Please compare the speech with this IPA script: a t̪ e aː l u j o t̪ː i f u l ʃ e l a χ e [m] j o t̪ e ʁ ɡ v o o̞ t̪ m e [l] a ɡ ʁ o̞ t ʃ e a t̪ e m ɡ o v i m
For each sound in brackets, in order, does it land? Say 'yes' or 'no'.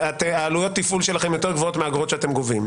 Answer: yes, no

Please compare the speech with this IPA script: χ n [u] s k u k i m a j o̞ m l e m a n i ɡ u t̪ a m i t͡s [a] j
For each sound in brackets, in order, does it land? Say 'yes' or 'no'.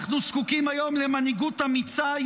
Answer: yes, yes

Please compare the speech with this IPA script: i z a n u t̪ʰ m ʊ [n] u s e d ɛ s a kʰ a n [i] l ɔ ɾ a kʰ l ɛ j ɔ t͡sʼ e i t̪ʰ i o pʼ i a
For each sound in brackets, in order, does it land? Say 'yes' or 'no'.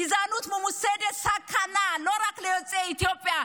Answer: no, no

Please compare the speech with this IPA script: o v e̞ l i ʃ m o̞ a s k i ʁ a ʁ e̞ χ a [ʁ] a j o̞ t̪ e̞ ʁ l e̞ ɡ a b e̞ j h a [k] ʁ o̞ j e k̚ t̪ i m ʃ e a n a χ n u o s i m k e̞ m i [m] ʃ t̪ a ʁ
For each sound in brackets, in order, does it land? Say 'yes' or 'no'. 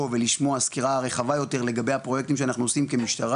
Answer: no, no, no

